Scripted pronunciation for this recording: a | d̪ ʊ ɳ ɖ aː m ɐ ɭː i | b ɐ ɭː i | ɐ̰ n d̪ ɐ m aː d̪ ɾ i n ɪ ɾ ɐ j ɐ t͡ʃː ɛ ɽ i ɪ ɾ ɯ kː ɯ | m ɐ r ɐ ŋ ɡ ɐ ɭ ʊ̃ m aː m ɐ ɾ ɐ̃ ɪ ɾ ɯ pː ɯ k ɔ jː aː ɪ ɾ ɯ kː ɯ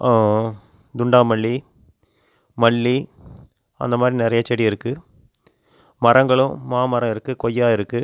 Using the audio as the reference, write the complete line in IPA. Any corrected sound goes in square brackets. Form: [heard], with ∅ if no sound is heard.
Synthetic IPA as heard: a | d̪ ʊ ɳ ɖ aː m ɐ ɭː i | [m] ɐ ɭː i | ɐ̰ n d̪ ɐ m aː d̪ ɾ i n ɪ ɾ ɐ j ɐ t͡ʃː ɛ ɽ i ɪ ɾ ɯ kː ɯ | m ɐ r ɐ ŋ ɡ ɐ ɭ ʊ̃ m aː m ɐ ɾ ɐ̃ ɪ ɾ ɯ [kː] ɯ k ɔ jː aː ɪ ɾ ɯ kː ɯ